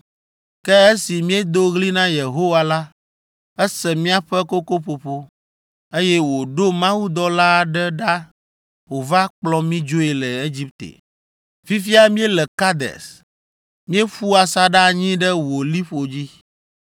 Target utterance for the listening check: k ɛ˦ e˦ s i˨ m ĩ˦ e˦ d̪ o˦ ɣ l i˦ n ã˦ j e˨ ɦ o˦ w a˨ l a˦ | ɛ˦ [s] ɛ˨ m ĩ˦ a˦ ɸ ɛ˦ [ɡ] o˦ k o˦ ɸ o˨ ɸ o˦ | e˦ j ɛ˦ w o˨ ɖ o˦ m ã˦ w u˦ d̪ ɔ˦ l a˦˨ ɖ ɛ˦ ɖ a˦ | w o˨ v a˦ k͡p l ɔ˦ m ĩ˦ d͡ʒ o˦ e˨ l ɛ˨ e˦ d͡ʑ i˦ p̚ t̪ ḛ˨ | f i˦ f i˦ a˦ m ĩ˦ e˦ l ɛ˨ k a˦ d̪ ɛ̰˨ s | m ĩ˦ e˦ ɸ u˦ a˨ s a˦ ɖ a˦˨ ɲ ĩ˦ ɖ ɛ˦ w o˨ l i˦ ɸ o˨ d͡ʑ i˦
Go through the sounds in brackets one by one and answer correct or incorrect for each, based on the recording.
correct, incorrect

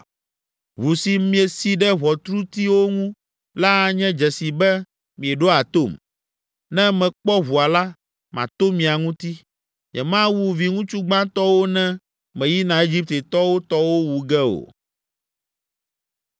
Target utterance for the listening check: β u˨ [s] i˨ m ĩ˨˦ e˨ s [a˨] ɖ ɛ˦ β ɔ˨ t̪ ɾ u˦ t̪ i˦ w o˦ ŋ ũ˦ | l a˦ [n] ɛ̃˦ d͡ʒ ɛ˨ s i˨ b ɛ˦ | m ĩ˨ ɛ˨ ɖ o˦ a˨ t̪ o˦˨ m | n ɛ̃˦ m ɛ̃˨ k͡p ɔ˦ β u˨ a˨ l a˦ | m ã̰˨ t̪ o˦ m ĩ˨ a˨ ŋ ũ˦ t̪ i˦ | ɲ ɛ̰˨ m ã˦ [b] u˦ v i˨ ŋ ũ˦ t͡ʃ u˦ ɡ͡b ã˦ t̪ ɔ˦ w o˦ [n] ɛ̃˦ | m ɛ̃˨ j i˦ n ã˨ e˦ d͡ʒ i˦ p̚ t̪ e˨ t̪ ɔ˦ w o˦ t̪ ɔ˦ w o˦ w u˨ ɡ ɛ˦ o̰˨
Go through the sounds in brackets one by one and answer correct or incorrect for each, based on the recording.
correct, incorrect, incorrect, incorrect, correct

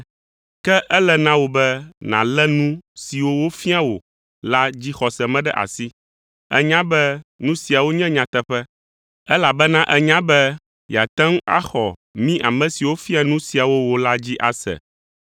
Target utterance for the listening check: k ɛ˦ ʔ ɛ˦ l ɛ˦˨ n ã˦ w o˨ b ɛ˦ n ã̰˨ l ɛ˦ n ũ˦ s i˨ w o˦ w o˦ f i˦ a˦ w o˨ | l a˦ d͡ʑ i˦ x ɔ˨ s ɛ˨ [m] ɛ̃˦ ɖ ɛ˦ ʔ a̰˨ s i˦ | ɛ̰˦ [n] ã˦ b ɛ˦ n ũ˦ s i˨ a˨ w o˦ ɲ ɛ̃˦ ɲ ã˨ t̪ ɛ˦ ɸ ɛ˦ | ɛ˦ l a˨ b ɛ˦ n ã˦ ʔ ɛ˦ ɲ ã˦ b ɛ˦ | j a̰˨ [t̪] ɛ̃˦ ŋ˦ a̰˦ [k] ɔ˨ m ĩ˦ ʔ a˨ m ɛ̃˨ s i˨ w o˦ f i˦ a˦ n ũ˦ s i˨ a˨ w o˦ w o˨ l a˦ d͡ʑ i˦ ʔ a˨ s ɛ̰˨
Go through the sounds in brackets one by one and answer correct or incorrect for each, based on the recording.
correct, incorrect, correct, incorrect

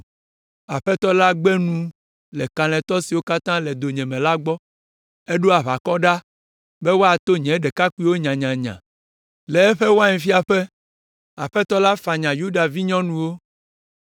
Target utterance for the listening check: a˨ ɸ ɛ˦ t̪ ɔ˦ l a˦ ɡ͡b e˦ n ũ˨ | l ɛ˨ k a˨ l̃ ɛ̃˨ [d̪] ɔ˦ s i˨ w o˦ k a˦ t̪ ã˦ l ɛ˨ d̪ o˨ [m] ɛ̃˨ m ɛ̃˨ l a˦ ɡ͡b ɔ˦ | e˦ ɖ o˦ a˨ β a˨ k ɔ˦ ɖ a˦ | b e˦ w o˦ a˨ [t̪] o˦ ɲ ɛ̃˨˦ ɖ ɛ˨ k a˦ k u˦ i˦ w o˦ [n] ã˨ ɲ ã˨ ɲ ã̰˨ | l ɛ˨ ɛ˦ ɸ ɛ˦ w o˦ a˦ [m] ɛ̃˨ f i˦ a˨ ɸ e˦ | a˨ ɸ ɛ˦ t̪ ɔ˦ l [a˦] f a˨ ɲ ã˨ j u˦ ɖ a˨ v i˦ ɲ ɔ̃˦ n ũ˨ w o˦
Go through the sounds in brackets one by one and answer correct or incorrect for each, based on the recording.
incorrect, incorrect, correct, incorrect, incorrect, correct

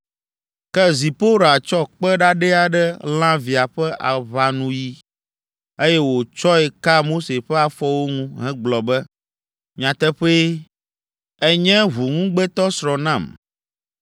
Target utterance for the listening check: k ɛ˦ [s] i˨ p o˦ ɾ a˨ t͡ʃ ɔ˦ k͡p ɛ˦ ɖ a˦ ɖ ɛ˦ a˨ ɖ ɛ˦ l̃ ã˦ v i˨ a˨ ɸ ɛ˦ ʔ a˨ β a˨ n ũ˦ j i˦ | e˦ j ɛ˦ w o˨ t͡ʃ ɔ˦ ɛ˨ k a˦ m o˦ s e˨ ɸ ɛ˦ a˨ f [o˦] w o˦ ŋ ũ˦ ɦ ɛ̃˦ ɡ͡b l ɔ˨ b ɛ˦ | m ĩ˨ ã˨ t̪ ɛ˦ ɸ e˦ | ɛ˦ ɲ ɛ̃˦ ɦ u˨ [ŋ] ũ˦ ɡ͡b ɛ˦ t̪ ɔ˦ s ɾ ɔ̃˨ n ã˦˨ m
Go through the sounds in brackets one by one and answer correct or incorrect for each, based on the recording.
incorrect, incorrect, correct

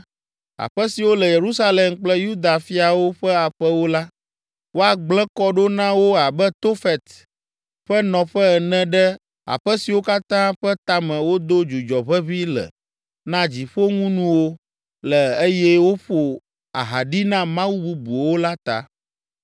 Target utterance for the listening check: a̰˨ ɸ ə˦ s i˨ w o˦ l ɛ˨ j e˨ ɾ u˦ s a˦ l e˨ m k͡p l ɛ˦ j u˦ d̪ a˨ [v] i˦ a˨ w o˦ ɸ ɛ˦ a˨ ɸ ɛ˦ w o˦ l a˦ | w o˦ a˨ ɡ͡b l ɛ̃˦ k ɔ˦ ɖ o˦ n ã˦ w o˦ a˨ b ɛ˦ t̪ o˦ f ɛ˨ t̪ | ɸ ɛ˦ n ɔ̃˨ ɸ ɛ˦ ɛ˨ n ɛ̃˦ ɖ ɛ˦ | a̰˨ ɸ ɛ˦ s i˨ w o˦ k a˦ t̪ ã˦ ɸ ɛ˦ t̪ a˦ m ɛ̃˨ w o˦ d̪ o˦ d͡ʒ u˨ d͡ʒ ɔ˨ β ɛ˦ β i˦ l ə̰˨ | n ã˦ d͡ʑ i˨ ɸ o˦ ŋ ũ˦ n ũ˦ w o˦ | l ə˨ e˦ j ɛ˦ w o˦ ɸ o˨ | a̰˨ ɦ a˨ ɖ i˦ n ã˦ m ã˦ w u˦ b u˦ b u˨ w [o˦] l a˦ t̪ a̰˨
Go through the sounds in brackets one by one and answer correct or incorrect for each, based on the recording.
incorrect, correct

